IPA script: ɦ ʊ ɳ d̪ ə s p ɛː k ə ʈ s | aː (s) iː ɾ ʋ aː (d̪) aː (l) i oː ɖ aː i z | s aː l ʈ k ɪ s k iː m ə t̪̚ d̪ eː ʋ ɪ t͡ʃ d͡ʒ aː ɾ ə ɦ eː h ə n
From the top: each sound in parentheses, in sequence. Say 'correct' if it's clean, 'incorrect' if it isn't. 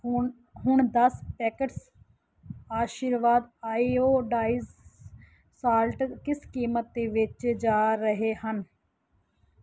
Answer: incorrect, correct, incorrect

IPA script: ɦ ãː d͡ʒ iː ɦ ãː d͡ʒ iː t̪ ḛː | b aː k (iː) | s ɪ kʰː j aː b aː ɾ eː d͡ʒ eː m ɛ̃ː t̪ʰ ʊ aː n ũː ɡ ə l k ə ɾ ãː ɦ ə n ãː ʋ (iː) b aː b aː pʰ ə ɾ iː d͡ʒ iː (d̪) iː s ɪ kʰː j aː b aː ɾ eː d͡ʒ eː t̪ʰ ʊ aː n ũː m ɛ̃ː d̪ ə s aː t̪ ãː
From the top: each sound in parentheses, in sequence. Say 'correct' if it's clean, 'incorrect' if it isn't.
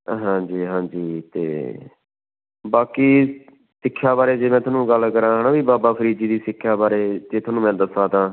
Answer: correct, correct, correct

